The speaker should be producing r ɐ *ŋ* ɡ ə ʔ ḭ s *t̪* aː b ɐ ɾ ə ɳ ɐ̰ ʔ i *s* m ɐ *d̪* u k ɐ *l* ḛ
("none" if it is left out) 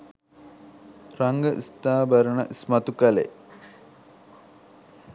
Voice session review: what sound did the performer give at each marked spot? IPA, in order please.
ŋ, t̪, s, t̪, l

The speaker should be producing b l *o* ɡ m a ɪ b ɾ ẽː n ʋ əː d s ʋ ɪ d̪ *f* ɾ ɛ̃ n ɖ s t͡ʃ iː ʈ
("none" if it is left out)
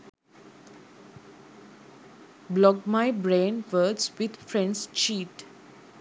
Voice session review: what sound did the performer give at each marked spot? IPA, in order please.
ɔ, f

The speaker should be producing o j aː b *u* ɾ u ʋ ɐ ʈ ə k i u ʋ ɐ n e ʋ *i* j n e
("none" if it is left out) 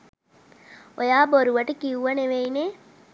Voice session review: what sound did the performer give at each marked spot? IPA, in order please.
o, e

